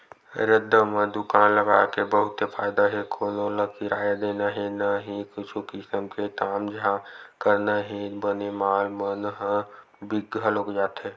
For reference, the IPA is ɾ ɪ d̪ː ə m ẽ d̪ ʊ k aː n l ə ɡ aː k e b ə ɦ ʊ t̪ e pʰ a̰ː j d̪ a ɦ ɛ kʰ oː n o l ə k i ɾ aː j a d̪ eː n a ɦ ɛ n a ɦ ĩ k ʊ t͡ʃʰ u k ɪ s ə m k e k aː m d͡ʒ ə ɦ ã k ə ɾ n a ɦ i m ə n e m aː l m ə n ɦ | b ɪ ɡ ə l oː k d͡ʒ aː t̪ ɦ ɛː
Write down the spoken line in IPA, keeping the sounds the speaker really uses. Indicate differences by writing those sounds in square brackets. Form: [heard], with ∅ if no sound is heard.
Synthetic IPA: ɾ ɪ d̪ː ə m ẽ d̪ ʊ k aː n l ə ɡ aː k e b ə ɦ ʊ t̪ e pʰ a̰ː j d̪ a ɦ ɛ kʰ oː n o l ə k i ɾ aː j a d̪ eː n a ɦ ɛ n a ɦ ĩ k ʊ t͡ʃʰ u k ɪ s ə m k e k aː m d͡ʒ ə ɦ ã k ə ɾ n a ɦ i [b] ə n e m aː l m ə n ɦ | b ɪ ɡ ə l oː k d͡ʒ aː t̪ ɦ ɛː

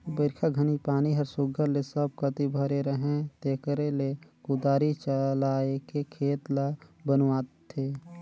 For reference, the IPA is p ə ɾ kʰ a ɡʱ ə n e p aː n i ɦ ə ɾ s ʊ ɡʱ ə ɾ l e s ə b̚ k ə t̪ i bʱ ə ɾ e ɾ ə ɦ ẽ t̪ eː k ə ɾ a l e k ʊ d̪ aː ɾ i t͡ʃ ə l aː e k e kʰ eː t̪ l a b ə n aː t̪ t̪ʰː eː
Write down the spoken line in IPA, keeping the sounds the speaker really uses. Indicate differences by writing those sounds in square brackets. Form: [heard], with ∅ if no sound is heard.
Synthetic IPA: [b] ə ɾ kʰ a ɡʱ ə n [i] p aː n i ɦ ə ɾ s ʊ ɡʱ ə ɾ l e s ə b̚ k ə t̪ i bʱ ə ɾ e ɾ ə ɦ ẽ t̪ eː k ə ɾ [e] l e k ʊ d̪ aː ɾ i t͡ʃ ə l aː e k e kʰ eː t̪ l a b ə n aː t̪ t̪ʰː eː

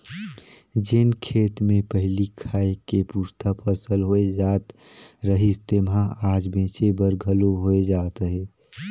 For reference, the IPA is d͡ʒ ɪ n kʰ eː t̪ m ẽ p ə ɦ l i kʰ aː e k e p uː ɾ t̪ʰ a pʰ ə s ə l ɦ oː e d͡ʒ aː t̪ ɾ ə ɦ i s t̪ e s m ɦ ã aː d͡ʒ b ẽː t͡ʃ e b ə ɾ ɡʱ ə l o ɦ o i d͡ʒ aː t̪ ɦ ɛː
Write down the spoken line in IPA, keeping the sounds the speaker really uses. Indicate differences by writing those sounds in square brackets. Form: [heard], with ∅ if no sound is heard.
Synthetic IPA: d͡ʒ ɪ n kʰ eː t̪ m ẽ p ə ɦ l i kʰ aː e k e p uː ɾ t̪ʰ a pʰ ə s ə l ɦ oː e d͡ʒ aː t̪ ɾ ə ɦ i s t̪ e [∅] m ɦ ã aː d͡ʒ b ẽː t͡ʃ e b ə ɾ ɡʱ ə l o ɦ o [e] d͡ʒ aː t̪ ɦ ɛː

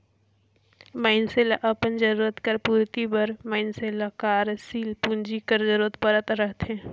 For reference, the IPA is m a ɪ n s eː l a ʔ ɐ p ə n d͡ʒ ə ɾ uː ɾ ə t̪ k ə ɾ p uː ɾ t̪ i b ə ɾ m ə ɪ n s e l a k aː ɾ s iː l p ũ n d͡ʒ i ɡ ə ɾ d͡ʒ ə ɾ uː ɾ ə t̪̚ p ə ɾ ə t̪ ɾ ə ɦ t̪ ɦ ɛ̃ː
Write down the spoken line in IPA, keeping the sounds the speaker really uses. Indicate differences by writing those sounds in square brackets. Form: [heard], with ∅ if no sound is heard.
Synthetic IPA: m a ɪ n s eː l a ʔ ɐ p ə n d͡ʒ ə ɾ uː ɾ ə t̪ k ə ɾ p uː ɾ t̪ i b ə ɾ m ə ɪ n s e l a k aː ɾ s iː l p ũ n d͡ʒ i [k] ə ɾ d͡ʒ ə ɾ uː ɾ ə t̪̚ p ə ɾ ə t̪ ɾ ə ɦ t̪ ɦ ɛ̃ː

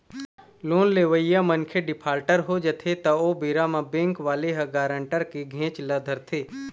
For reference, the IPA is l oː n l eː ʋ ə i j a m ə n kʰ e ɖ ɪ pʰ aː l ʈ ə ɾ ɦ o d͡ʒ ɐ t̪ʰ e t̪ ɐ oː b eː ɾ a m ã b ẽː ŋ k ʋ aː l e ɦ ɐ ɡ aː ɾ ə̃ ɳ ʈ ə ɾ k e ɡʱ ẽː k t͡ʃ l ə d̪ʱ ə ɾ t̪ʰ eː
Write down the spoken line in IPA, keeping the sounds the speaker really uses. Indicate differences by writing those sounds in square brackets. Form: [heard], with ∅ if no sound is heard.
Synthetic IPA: l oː n l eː ʋ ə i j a m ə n kʰ e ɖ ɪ pʰ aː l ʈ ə ɾ ɦ o d͡ʒ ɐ t̪ʰ e t̪ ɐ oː b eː ɾ a m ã b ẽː ŋ k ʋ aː l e ɦ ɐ ɡ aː ɾ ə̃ ɳ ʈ ə ɾ k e ɡʱ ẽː [∅] t͡ʃ l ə d̪ʱ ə ɾ t̪ʰ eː

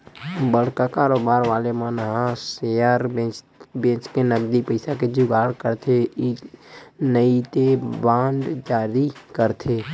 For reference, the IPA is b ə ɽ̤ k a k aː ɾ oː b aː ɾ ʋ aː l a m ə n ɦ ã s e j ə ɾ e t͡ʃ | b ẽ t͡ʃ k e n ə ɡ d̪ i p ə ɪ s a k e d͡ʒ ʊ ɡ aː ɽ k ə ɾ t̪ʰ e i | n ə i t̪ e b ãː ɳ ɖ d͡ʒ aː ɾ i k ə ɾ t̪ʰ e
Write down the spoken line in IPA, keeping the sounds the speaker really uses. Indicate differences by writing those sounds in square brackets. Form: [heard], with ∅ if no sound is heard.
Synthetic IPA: b ə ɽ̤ k a k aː ɾ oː b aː ɾ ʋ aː l [e] m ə n ɦ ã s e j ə ɾ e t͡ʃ | b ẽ t͡ʃ k e n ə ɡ d̪ i p ə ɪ s a k e d͡ʒ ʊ ɡ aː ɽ k ə ɾ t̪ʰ e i | n ə i t̪ e b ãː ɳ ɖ d͡ʒ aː ɾ i k ə ɾ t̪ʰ e

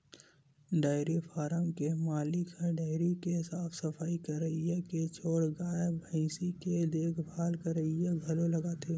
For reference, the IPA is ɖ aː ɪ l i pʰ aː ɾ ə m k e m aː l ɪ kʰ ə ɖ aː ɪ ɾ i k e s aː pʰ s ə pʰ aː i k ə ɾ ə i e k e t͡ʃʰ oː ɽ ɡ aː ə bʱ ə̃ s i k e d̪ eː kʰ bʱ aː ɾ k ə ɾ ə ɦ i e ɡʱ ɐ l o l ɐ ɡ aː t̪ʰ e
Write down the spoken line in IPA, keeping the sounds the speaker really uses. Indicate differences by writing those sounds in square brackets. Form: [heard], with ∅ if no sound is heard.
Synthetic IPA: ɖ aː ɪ [ɾ] i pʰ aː ɾ ə m k e m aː l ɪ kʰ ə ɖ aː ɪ ɾ i k e s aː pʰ s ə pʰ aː i k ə ɾ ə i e k e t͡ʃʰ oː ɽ ɡ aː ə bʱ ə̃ s i k e d̪ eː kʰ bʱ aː [l] k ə ɾ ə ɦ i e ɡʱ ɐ l o l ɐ ɡ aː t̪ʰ e

